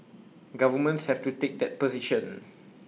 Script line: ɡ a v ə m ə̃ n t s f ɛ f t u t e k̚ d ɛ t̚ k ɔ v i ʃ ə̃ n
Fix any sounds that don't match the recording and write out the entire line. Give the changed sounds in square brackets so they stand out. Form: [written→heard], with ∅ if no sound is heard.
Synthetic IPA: ɡ a v ə m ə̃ n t s [f→h] ɛ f t u t e k̚ d ɛ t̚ [k→p] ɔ [v→z] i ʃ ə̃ n